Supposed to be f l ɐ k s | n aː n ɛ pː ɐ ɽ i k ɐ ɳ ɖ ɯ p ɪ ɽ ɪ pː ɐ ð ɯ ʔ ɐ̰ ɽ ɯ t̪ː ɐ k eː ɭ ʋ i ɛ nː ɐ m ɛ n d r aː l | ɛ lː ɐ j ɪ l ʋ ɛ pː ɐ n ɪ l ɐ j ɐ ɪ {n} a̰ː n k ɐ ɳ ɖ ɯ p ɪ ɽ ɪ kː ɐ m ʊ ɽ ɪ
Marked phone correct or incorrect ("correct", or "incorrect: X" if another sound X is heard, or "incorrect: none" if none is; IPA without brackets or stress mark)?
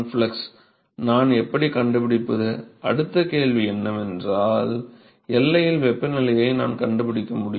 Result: correct